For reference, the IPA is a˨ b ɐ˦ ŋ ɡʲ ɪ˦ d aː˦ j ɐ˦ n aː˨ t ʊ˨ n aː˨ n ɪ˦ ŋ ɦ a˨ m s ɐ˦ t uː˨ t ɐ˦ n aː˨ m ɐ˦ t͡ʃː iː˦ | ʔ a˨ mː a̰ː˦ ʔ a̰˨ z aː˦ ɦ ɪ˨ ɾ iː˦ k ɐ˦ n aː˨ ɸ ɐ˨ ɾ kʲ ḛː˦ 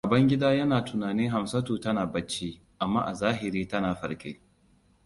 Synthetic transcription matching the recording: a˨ b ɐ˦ ŋ ɡʲ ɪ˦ d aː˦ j ɐ˦ n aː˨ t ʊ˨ n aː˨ n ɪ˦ ŋ ɦ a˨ m s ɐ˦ t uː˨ t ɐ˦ n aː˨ b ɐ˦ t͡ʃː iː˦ | ʔ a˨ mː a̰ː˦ ʔ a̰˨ z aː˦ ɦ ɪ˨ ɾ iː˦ t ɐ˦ n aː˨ ɸ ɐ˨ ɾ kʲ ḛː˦